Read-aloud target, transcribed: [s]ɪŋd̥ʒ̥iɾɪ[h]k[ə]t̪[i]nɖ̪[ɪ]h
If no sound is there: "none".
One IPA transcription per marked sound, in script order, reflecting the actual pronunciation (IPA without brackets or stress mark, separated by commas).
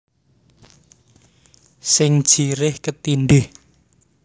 s, h, ə, i, ɪ